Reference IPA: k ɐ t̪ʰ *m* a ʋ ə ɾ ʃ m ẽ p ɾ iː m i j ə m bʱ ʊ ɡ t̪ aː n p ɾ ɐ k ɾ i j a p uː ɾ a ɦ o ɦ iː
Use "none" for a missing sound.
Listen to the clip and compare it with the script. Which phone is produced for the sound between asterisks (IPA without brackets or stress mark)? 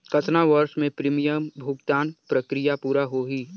n